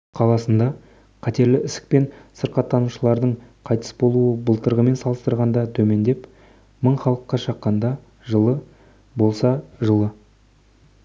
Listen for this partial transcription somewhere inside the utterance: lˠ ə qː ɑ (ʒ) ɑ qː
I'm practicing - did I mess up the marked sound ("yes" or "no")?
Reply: yes